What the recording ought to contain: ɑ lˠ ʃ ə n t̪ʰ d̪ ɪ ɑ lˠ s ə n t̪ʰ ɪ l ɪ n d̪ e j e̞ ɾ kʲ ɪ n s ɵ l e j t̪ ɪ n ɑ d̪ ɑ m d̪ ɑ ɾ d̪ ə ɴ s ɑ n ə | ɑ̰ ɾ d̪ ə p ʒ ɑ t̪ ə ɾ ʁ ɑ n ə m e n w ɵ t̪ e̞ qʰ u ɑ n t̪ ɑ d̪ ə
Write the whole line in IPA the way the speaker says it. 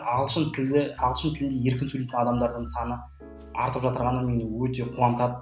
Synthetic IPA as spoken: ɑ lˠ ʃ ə n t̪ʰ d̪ ɪ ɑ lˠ ʃ ə n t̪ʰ ɪ l ɪ n d̪ e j e̞ ɾ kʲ ɪ n s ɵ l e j t̪ ɪ n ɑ d̪ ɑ m d̪ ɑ ɾ d̪ ə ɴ s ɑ n ə | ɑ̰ ɾ t̪ ə p ʒ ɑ t̪ ə ɾ ʁ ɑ n ə m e n w ɵ t̪ e̞ qʰ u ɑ n t̪ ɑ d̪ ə